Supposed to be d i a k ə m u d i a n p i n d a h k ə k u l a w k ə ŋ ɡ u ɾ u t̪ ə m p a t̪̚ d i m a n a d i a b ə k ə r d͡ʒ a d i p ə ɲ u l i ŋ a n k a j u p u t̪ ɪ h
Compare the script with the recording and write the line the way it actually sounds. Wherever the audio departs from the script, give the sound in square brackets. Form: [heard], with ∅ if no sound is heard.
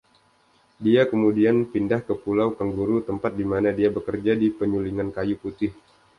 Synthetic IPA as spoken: d i a k ə m u d i a n p i n d a h k ə [p] u l a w k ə ŋ ɡ u ɾ u t̪ ə m p a t̪̚ d i m a n a d i a b ə k ə r d͡ʒ a d i p ə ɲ u l i ŋ a n k a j u p u t̪ ɪ h